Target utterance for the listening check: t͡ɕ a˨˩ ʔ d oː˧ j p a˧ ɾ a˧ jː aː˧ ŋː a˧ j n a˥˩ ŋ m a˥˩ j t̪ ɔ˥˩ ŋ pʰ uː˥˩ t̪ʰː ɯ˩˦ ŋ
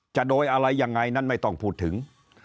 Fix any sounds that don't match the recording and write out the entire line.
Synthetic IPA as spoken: t͡ɕ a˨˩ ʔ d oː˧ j ʔ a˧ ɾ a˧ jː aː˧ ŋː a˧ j n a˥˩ n m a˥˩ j t̪ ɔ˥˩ ŋ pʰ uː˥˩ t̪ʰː ɯ˩˦ ŋ